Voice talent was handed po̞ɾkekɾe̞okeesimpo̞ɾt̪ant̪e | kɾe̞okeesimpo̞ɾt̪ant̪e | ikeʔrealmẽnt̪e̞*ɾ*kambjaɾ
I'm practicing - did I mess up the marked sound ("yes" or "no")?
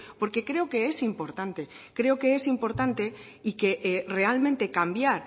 yes